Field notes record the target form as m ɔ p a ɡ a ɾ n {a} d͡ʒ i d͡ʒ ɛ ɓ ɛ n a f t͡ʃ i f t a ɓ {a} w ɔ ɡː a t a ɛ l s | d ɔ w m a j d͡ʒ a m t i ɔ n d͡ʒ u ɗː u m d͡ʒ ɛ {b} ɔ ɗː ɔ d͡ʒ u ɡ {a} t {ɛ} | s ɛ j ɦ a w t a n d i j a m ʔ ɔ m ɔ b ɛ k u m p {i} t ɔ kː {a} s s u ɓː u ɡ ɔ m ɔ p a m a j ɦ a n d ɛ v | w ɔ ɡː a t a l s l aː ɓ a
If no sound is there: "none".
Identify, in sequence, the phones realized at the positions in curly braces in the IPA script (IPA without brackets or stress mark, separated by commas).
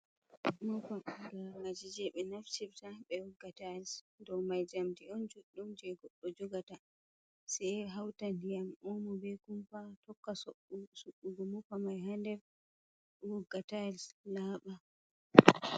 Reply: a, ɛ, ɡ, a, a, a, a